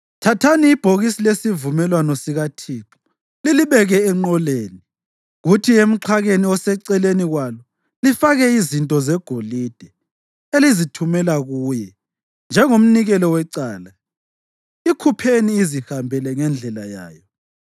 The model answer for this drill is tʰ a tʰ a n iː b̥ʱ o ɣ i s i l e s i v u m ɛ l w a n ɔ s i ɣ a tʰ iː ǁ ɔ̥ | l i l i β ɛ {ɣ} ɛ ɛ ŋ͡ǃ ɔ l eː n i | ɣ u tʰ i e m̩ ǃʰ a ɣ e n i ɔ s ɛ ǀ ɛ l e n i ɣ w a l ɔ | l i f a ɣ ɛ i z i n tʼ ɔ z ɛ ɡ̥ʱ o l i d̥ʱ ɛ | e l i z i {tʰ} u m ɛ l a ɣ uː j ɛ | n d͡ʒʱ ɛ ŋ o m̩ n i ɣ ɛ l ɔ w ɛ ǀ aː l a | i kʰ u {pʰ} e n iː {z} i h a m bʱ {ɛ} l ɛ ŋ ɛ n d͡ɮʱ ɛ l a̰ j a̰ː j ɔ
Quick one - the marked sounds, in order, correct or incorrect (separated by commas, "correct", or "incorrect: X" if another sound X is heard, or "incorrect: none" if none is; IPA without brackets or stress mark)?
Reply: correct, correct, correct, correct, correct